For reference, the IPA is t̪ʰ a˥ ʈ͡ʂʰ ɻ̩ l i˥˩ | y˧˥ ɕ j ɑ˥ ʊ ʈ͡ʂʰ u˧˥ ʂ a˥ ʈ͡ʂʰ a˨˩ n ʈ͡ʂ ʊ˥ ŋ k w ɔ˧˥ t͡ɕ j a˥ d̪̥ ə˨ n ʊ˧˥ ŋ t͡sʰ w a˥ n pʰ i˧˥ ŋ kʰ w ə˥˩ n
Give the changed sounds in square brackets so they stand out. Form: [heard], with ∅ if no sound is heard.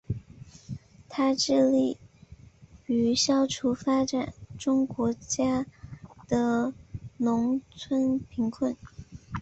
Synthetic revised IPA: t̪ʰ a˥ [ʈ͡ʂ] ɻ̩ l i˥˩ | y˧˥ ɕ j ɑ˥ ʊ ʈ͡ʂʰ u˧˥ [f] a˥ [ʈ͡ʂ] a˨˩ n ʈ͡ʂ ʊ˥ ŋ k w ɔ˧˥ t͡ɕ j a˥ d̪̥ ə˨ n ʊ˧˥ ŋ t͡sʰ w [ə˥] n pʰ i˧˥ ŋ kʰ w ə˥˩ n